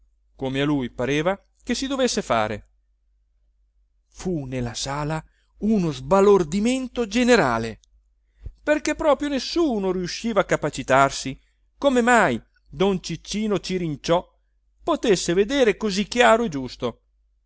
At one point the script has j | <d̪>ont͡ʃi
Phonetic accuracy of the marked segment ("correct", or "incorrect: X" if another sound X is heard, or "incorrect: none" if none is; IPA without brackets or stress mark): correct